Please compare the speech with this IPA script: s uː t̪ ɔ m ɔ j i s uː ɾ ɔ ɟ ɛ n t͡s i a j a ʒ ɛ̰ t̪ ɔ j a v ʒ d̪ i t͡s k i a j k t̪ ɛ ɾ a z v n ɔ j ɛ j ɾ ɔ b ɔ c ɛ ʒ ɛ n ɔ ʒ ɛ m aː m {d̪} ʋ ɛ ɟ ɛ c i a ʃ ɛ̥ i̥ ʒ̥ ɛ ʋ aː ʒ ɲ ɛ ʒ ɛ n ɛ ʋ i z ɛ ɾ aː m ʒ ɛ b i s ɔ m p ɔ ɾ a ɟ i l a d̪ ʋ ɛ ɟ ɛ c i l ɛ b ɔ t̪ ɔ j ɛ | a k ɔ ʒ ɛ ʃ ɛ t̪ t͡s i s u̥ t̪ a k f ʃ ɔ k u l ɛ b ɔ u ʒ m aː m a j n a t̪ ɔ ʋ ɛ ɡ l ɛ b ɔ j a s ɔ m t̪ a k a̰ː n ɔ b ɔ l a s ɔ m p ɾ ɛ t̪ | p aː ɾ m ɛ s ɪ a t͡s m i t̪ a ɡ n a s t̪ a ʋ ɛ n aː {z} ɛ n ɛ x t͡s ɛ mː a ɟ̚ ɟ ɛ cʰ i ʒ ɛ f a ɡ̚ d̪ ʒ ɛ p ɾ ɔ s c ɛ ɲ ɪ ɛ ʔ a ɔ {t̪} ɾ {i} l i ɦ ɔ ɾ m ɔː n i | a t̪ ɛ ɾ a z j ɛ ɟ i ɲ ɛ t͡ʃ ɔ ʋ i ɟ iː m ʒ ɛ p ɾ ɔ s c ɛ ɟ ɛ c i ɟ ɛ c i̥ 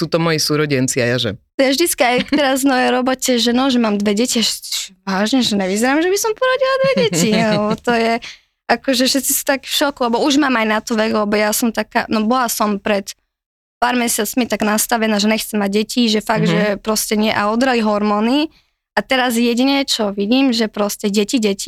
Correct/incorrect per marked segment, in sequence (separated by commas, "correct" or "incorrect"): correct, incorrect, incorrect, incorrect